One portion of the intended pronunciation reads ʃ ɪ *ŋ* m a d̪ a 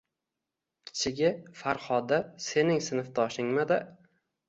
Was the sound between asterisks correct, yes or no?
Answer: yes